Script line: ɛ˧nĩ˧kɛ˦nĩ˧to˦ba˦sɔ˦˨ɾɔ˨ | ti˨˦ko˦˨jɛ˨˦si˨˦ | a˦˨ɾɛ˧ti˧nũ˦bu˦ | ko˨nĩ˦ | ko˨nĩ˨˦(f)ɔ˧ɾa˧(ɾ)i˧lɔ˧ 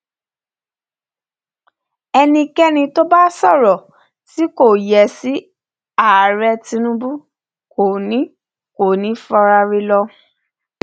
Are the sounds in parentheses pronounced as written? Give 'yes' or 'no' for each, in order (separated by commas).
yes, yes